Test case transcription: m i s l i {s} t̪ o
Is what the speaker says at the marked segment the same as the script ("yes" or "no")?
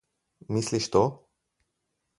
no